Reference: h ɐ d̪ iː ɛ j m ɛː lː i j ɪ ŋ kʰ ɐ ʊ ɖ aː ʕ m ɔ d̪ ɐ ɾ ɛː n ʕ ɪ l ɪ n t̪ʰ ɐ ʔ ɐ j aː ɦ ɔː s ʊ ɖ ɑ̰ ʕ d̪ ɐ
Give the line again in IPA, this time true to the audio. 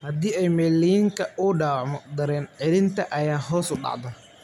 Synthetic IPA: h ɐ d̪ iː ɛ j m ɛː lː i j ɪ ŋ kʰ ɐ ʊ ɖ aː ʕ m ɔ d̪ ɐ ɾ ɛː n ʕ ɪ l ɪ n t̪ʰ ɐ ʔ ɐ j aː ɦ ɔː s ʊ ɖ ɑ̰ ʕ d̪ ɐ